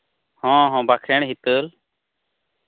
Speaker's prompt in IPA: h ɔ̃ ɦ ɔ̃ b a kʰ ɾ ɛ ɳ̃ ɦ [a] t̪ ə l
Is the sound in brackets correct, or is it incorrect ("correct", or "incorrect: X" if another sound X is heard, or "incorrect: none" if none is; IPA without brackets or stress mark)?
incorrect: i